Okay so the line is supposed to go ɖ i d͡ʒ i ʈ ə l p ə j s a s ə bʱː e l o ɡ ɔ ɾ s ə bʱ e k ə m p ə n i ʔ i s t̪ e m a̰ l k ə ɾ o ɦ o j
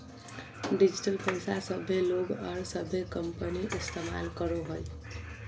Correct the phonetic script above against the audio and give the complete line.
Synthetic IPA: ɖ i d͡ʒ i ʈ ə l p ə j s a s ə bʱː e l o ɡ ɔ ɾ s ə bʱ e k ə m p ə n i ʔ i s t̪ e m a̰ l k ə ɾ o ɦ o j

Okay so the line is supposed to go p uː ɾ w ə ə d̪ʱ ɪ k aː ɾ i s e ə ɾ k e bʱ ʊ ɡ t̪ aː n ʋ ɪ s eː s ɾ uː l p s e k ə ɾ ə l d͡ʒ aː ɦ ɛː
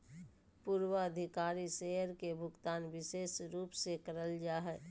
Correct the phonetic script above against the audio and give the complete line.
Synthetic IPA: p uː ɾ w ə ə d̪ʱ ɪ k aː ɾ i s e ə ɾ k e bʱ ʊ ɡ t̪ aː n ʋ ɪ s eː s ɾ uː p s e k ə ɾ ə l d͡ʒ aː ɦ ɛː

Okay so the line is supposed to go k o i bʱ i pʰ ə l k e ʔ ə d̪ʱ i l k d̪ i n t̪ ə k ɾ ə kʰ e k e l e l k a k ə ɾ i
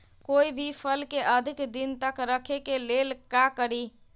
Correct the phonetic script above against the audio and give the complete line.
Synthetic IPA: k o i bʱ i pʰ ə l k e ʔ ə d̪ʱ i k d̪ i n t̪ ə k ɾ ə kʰ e k e l e l k a k ə ɾ i

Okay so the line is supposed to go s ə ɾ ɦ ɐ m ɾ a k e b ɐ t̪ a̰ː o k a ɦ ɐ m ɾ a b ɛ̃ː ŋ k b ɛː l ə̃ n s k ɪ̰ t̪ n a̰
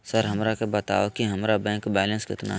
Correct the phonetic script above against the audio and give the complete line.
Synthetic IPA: s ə ɾ ɦ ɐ m ɾ a k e b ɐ t̪ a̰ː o k i ɦ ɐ m ɾ a b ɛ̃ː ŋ k b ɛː l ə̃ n s k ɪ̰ t̪ n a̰

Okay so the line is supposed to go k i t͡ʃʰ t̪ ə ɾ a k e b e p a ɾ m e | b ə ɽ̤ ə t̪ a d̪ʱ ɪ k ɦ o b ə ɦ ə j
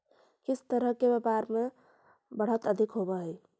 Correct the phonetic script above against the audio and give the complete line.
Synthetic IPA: k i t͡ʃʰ t̪ ə ɾ ə k e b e p a ɾ m e | b ə ɽ̤ ə t̪ ə d̪ʱ i k ɦ o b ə ɦ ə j

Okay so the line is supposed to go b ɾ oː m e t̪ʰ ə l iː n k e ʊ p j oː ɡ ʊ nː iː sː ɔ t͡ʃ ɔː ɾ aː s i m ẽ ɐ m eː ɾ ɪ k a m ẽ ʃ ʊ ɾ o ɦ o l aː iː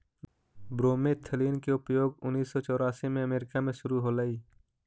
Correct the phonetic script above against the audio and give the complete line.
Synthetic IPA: b ɾ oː m e t̪ʰ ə l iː n k e ʊ p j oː ɡ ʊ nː iː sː ɔ t͡ʃ ɔː ɾ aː s i m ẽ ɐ m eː ɾ ɪ k a m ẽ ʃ ʊ ɾ u ɦ o l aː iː

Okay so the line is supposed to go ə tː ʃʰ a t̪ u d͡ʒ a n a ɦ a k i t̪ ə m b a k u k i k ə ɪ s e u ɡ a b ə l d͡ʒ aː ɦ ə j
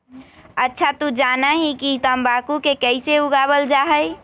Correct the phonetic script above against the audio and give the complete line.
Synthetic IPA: ə tː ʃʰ a t̪ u d͡ʒ a n a ɦ i k i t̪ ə m b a k u k e k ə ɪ s e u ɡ a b ə l d͡ʒ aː ɦ ə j

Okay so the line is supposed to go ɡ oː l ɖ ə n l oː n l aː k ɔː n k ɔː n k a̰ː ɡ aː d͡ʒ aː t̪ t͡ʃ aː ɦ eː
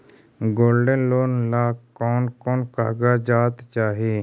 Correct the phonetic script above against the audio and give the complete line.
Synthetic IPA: ɡ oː l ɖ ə n l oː n l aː k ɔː n k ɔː n k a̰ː ɡ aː d͡ʒ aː t̪ t͡ʃ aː ɦ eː

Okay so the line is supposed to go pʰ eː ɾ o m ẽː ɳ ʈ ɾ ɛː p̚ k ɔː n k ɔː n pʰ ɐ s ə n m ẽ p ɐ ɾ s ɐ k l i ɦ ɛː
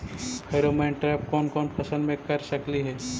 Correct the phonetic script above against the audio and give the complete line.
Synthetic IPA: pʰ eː ɾ o m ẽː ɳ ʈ ɾ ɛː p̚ k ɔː n k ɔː n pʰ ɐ s ə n m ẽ k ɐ ɾ s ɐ k l i ɦ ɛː

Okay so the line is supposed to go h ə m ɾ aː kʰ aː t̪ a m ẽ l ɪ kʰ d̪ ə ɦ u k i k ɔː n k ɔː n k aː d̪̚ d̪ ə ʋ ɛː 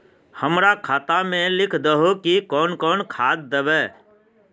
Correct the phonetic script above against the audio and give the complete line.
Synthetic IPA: h ə m ɾ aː kʰ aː t̪ a m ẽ l ɪ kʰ d̪ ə ɦ o k i k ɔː n k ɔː n kʰ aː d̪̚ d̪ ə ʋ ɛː

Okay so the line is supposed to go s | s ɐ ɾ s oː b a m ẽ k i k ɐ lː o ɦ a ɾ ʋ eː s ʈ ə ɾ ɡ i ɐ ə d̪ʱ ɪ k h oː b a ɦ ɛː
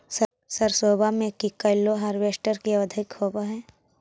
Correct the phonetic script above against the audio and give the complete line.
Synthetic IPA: s | s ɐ ɾ s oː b a m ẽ k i k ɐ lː o ɦ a ɾ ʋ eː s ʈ ə ɾ k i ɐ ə d̪ʱ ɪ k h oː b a ɦ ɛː

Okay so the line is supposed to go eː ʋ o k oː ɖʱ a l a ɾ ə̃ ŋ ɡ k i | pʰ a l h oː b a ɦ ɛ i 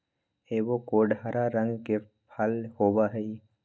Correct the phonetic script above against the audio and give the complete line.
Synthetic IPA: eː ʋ o k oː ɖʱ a ɾ a ɾ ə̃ ŋ ɡ k e | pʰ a l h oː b a ɦ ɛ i

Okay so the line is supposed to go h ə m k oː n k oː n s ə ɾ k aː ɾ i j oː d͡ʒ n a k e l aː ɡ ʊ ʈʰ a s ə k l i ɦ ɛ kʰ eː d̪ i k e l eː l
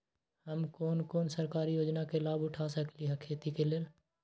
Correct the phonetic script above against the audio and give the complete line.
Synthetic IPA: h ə m k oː n k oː n s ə ɾ k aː ɾ i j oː d͡ʒ n a k e l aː b ʊ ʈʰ a s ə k l i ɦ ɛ kʰ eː t̪ i k e l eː l

